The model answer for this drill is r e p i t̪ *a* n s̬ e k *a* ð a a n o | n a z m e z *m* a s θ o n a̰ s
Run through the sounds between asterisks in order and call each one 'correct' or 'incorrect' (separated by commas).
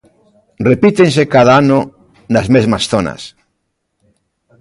incorrect, correct, correct